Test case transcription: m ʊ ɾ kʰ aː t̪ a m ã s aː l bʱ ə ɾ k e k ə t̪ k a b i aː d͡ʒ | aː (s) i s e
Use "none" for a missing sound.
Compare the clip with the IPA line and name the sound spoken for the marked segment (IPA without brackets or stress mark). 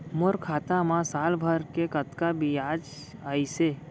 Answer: none